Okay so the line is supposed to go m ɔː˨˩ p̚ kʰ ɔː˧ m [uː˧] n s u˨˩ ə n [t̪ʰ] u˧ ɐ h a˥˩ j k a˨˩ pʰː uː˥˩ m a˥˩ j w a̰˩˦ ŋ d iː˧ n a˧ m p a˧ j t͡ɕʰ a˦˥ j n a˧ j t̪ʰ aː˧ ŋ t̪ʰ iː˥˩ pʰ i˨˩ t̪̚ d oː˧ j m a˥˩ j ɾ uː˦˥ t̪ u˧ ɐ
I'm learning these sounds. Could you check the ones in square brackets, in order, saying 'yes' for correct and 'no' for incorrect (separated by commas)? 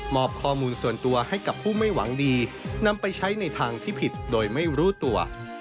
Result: yes, no